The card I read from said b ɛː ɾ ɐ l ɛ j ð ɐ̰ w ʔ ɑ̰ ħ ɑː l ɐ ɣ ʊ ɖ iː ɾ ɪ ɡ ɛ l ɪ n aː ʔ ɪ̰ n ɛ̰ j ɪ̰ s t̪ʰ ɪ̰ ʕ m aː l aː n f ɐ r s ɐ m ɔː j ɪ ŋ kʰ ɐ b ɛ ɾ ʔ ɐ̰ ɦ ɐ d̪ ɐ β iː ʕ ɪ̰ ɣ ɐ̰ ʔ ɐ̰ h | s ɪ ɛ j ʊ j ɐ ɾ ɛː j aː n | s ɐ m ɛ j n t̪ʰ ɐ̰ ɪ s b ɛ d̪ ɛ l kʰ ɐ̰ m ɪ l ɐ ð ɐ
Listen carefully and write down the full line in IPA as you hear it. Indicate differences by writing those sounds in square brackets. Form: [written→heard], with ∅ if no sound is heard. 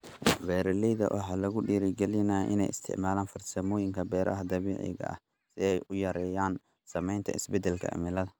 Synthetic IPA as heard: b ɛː ɾ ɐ l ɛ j ð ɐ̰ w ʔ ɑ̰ ħ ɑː l ɐ ɣ ʊ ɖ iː ɾ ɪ ɡ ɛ l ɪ n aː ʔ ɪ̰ n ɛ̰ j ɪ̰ s t̪ʰ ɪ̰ ʕ m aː l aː n f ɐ r s ɐ m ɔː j ɪ ŋ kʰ ɐ b [ɛ→ɛː] ɾ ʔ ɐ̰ ɦ ɐ d̪ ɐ β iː ʕ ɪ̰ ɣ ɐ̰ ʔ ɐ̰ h | s ɪ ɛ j ʊ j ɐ ɾ ɛː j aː n | s ɐ m ɛ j n t̪ʰ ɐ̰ ɪ s b ɛ d̪ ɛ l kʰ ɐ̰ m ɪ l ɐ ð ɐ

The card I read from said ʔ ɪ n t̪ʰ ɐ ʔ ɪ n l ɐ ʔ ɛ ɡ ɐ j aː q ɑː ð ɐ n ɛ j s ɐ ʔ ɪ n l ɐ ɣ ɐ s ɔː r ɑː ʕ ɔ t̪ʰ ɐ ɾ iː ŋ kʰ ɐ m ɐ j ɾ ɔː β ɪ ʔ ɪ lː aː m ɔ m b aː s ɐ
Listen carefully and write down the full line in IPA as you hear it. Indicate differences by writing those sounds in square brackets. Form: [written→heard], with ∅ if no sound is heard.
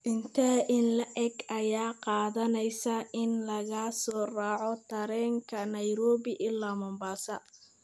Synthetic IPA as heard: ʔ ɪ n t̪ʰ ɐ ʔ ɪ n l ɐ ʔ ɛ ɡ ɐ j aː q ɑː ð ɐ n ɛ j s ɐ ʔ ɪ n l ɐ ɣ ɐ s ɔː r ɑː ʕ ɔ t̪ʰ ɐ ɾ [iː→ɛː] ŋ kʰ ɐ [m→n] ɐ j ɾ ɔː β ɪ ʔ ɪ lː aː m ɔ m b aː s ɐ

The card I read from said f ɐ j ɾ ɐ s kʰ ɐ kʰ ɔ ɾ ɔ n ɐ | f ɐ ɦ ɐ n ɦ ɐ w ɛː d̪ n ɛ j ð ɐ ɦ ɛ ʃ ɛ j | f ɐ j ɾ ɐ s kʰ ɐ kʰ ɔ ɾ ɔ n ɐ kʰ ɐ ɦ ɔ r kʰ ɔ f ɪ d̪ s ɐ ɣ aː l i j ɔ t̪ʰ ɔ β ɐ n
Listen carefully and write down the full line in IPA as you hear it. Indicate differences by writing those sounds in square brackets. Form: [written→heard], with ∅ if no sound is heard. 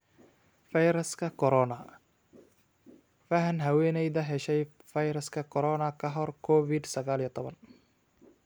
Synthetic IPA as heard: f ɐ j ɾ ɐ s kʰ ɐ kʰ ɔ ɾ ɔ n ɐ | f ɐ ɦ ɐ n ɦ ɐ w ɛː [d̪→∅] n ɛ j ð ɐ ɦ ɛ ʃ ɛ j | f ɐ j ɾ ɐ s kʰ ɐ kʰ ɔ ɾ ɔ n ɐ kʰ ɐ ɦ ɔ r kʰ ɔ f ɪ d̪ s ɐ ɣ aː l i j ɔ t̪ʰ ɔ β ɐ n

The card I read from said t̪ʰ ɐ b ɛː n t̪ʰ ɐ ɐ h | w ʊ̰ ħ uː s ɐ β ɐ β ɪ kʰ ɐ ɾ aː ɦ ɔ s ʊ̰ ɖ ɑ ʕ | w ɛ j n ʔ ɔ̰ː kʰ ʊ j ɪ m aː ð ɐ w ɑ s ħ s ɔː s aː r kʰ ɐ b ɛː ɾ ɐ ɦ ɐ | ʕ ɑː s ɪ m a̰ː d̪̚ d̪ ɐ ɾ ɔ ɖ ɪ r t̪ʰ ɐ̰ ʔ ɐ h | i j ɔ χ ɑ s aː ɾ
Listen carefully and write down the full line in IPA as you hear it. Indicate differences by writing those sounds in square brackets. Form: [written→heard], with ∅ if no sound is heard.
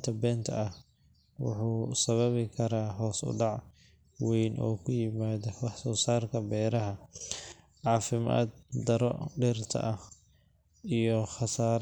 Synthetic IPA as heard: t̪ʰ ɐ b ɛː n t̪ʰ ɐ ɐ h | w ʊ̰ ħ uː s ɐ β ɐ β ɪ kʰ ɐ ɾ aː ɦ [ɔ→ɔː] s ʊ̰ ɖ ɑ ʕ | w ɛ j n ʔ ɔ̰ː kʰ ʊ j ɪ m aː ð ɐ w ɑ [s→∅] ħ s ɔː s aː r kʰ ɐ b ɛː ɾ ɐ ɦ ɐ | ʕ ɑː [s→f] ɪ m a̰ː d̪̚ d̪ ɐ ɾ ɔ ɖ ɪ r t̪ʰ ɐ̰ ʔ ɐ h | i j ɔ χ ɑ s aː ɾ

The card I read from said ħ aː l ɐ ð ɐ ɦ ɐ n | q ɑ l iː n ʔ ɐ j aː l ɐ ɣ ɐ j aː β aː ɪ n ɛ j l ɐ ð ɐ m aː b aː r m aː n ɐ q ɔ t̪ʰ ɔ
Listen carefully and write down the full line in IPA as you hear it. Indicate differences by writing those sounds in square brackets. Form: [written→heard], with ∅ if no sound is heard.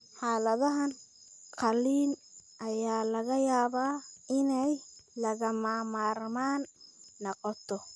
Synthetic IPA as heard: ħ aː l ɐ ð ɐ ɦ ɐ n | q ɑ l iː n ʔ ɐ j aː l ɐ ɣ ɐ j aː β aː ɪ n ɛ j l ɐ [ð→ɣ] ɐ m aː [b→m] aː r m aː [n→nː] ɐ q ɔ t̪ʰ ɔ

